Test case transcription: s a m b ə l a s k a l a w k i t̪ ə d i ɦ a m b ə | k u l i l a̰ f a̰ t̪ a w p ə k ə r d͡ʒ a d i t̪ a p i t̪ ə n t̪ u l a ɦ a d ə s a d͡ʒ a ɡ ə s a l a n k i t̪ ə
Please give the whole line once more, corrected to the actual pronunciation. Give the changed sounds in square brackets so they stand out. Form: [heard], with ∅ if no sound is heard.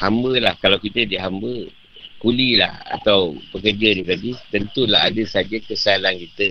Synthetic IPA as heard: [h] a m b ə l a [h] k a l a w k i t̪ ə d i ɦ a m b ə | k u l i l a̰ [h] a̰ t̪ a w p ə k ə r d͡ʒ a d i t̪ a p i t̪ ə n t̪ u l a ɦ a d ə s a d͡ʒ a [k] ə s a l a n k i t̪ ə